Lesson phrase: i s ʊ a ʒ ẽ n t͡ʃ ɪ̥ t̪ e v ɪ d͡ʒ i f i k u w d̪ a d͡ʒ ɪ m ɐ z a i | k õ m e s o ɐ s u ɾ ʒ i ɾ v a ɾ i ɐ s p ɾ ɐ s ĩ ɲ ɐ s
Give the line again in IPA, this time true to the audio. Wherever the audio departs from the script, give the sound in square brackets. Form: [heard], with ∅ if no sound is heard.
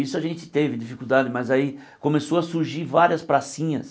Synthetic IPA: i s ʊ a ʒ ẽ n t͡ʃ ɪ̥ t̪ e v ɪ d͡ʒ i f i k u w d̪ a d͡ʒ ɪ m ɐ z a i | k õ m e s o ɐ s u ɾ ʒ i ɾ v a ɾ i ɐ s p ɾ [a] s ĩ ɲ ɐ s